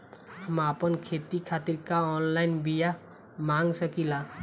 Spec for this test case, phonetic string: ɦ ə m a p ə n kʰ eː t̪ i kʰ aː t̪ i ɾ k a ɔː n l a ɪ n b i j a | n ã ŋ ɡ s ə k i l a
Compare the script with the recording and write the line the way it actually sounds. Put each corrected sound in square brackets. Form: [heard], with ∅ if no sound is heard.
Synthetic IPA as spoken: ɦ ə m a p ə n kʰ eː t̪ i kʰ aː t̪ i ɾ k a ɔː n l a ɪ n b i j a | [m] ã ŋ ɡ s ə k i l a